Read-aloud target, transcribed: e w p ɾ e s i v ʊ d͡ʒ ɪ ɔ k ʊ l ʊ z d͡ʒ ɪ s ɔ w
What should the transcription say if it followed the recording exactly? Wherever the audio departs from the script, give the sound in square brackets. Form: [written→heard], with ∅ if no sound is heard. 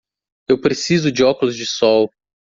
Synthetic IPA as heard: e w p ɾ e s i [v→z] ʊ d͡ʒ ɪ ɔ k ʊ l ʊ z d͡ʒ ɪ s ɔ w